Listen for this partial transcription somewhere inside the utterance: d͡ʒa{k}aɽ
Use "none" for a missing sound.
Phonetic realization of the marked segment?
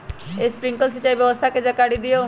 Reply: k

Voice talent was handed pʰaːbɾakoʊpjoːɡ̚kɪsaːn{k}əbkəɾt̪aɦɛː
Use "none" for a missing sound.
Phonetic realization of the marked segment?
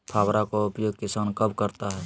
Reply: k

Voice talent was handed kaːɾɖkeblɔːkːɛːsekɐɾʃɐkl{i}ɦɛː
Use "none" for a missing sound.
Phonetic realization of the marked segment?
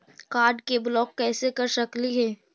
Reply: i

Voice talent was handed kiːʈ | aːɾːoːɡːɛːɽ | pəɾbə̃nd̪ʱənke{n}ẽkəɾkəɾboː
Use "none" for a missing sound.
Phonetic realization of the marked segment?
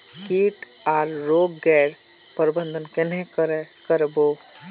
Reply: n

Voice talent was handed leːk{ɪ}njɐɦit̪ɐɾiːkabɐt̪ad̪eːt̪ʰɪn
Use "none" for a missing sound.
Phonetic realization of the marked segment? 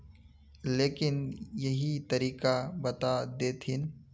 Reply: ɪ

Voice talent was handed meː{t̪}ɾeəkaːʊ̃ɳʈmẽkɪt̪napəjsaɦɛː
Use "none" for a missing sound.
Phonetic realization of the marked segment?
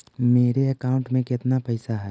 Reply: none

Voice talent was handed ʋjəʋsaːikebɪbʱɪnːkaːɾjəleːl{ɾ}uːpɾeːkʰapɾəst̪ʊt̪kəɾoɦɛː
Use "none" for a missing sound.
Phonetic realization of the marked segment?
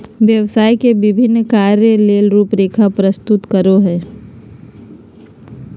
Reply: ɾ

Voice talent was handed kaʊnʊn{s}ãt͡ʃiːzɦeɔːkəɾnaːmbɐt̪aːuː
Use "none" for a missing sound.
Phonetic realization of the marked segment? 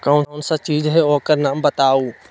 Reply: s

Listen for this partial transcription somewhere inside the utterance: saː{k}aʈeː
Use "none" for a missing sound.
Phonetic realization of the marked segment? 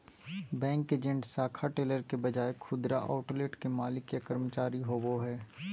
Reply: kʰ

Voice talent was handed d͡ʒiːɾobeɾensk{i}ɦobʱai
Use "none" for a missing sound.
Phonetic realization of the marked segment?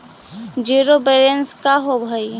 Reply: a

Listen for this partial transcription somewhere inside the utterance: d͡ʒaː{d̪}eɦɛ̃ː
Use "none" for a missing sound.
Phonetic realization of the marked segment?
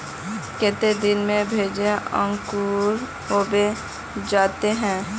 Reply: t̪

